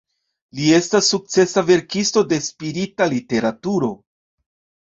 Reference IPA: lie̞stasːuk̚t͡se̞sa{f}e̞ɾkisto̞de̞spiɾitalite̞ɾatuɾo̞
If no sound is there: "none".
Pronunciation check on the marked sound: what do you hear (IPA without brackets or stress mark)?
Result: v